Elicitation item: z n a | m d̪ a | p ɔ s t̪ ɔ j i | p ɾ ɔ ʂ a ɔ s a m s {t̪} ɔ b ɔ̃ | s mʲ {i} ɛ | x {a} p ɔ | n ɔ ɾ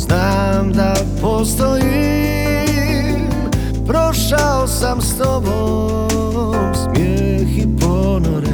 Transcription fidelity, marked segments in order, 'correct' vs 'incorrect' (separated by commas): correct, incorrect, incorrect